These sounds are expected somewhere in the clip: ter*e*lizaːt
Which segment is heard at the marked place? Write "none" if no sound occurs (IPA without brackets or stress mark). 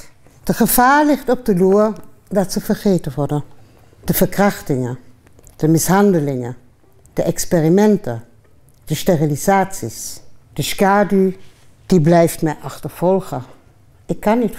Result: i